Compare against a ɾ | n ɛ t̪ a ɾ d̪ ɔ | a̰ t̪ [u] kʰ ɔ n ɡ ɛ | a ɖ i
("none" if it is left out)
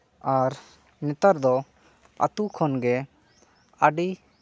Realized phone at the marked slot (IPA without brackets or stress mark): u